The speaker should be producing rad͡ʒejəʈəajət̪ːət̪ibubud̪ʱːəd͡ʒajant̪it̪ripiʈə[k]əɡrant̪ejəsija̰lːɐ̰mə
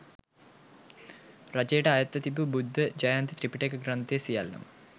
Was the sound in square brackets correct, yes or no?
yes